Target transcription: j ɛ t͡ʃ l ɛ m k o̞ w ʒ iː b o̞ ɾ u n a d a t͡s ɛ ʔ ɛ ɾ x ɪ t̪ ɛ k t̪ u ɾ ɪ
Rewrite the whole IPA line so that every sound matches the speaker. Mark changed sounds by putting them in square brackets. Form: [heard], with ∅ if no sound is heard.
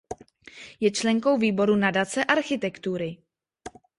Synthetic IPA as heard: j ɛ t͡ʃ l ɛ [ŋ] k o̞ w [v] iː b o̞ ɾ u n a d a t͡s ɛ ʔ [a] ɾ x ɪ t̪ ɛ k t̪ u ɾ ɪ